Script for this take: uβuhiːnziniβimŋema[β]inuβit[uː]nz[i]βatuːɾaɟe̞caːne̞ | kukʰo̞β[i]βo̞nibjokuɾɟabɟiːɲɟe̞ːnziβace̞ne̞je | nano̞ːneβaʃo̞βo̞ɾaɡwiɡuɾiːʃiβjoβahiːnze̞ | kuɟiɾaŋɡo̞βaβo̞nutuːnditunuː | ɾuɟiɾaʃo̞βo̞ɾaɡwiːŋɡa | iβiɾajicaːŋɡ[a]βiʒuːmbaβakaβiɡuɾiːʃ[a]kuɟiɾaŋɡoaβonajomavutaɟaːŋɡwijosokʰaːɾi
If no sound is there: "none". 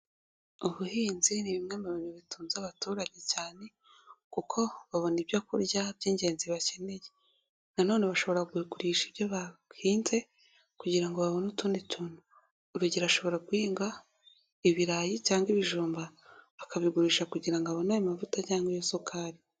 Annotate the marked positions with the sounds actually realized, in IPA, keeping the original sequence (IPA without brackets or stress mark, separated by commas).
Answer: β, uː, a, a, i, a